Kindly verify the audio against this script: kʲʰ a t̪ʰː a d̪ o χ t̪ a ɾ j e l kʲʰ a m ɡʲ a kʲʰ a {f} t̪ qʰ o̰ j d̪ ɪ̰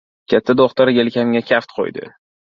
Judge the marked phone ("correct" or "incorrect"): correct